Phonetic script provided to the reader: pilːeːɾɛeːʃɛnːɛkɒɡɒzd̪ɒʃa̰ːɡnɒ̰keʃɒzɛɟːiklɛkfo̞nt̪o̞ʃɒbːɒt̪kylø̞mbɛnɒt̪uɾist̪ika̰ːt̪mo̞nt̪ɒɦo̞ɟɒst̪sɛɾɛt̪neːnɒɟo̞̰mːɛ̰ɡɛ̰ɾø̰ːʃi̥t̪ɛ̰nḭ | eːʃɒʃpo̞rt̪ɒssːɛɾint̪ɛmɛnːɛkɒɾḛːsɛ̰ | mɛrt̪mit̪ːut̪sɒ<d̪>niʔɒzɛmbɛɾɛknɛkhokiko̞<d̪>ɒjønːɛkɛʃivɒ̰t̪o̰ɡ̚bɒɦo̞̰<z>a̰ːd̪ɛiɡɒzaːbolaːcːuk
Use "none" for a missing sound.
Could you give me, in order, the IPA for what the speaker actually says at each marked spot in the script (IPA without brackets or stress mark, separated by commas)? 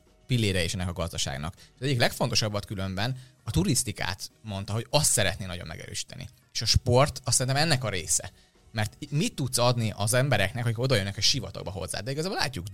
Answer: d̪, d̪, zː